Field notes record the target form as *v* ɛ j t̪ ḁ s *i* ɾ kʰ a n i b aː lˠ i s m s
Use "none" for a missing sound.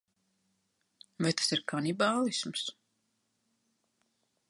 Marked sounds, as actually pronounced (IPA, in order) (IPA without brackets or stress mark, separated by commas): v, i